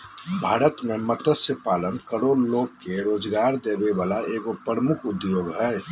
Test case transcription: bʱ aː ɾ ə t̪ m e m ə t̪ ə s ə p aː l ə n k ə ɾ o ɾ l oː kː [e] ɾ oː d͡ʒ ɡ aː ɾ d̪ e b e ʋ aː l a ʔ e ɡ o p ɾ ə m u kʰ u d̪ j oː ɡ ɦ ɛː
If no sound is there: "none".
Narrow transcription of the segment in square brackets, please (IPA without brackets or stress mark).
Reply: e